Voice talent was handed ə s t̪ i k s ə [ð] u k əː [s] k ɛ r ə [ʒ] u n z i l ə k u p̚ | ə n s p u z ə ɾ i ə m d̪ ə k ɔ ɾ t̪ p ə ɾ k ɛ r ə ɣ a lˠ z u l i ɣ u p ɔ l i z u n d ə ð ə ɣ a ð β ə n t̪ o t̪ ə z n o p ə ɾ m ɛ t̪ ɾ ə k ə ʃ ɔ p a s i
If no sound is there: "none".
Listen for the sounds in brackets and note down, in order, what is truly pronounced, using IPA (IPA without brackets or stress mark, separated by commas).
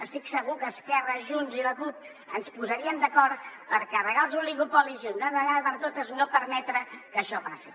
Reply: ɣ, s, ʒ